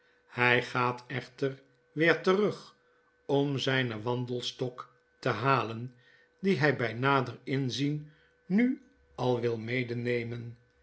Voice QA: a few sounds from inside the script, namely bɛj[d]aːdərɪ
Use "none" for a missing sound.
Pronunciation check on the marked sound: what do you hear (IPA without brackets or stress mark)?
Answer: n